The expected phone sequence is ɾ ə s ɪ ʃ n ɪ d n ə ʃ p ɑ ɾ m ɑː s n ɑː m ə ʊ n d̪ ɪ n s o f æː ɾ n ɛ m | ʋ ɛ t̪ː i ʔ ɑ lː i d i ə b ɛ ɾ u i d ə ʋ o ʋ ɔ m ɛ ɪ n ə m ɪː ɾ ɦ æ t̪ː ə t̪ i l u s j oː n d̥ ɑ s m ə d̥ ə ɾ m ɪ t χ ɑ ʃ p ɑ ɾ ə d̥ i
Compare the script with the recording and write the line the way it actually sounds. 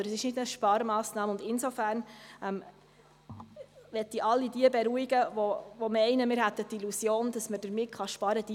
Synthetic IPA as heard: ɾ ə s ɪ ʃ n ɪ d n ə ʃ p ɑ ɾ m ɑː s n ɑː m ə ʊ n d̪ ɪ n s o f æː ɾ n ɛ m | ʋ ɛ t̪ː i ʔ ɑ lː i d i ə b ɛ ɾ u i ɡ ə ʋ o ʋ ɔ m ɛ ɪ n ə m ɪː ɾ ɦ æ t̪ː ə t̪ i l u s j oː n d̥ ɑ s m ə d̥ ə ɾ m ɪ t χ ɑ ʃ p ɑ ɾ ə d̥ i